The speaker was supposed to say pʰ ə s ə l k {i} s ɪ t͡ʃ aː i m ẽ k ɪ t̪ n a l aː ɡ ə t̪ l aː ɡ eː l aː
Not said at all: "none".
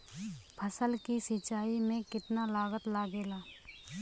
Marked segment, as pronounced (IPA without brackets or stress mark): i